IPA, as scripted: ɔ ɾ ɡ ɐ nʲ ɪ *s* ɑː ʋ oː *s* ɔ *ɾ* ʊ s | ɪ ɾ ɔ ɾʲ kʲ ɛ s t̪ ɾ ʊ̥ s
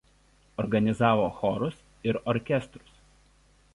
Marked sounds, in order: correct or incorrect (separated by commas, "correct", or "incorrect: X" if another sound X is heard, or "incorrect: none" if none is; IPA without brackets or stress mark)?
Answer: incorrect: z, incorrect: x, correct